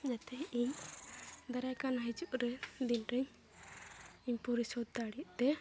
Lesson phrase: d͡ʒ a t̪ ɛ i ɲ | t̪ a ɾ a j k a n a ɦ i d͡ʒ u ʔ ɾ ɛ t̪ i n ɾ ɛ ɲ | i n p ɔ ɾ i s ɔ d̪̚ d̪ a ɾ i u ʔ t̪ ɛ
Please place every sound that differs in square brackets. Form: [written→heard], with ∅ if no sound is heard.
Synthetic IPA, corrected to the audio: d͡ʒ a t̪ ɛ i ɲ | [t̪→d̪] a ɾ a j k a n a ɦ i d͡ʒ u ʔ ɾ ɛ [t̪→d̪] i n ɾ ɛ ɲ | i [n→ɲ] p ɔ ɾ i s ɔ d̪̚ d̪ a [ɾ→ɽ] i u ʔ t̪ ɛ